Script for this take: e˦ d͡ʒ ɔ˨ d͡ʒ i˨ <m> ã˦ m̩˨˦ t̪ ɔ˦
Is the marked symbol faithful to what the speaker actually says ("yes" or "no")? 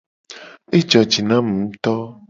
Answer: no